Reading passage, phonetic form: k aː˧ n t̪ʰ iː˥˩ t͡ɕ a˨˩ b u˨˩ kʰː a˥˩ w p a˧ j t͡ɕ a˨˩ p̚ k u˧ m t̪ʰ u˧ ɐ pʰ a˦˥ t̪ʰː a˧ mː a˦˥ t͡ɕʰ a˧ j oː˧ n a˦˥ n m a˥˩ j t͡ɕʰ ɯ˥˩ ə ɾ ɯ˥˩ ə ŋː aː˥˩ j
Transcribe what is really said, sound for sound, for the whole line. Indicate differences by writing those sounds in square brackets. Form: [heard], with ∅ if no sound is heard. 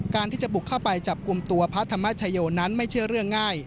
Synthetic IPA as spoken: k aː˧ n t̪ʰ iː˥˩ t͡ɕ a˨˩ b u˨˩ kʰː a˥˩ w p a˧ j t͡ɕ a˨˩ p̚ k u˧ m [t̪] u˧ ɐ pʰ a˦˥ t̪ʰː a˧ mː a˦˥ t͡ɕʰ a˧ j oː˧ n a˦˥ n m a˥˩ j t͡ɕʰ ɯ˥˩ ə ɾ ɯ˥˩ ə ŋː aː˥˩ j